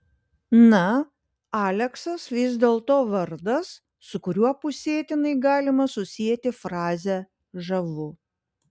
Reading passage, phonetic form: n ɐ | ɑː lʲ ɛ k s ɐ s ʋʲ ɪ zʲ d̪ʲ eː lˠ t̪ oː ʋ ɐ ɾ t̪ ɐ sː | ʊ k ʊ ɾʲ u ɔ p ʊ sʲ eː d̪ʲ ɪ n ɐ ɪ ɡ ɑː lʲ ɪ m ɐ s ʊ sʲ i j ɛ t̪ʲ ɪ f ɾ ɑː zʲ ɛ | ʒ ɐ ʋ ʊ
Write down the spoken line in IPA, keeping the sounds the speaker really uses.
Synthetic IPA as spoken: n ɐ | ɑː lʲ ɛ k s ɐ s ʋʲ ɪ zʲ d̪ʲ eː lˠ t̪ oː ʋ ɐ ɾ d̪ ɐ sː | ʊ k ʊ ɾʲ u ɔ p ʊ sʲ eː t̪ʲ ɪ n ɐ ɪ ɡ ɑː lʲ ɪ m ɐ s ʊ sʲ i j ɛ t̪ʲ ɪ f ɾ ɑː zʲ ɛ | ʒ ɐ ʋ ʊ